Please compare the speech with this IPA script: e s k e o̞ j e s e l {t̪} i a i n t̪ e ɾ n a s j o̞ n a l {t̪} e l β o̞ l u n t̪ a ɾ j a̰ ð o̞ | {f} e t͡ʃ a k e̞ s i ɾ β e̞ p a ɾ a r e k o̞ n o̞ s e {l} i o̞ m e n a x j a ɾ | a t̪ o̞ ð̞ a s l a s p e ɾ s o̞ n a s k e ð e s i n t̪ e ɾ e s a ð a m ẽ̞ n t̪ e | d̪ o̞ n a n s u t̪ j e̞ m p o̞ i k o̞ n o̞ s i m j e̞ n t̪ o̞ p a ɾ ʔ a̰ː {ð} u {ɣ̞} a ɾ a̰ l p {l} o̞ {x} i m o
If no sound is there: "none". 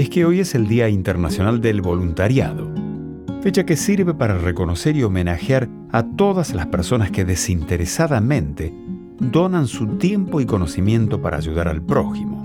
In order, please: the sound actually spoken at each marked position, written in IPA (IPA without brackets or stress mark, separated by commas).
d̪, d̪, f, ɾ, ʒ, ð̞, ɾ, x